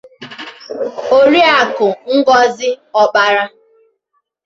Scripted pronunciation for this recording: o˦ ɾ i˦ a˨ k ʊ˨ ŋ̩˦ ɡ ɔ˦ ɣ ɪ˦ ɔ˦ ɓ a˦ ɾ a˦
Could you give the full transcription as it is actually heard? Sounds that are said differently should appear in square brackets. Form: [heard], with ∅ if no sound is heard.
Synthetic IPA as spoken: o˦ ɾ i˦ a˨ k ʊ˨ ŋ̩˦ ɡ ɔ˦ [z] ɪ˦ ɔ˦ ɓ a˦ ɾ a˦